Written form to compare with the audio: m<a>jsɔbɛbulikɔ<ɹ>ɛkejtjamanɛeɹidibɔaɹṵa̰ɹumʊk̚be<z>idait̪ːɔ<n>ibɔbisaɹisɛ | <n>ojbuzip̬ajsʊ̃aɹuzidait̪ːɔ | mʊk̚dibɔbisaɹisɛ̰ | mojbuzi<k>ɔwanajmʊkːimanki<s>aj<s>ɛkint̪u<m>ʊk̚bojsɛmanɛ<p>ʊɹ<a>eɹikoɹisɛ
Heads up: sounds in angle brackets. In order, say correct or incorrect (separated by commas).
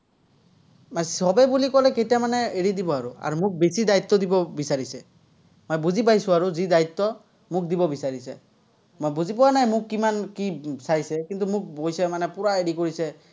correct, incorrect, incorrect, incorrect, incorrect, incorrect, correct, correct, correct, correct, correct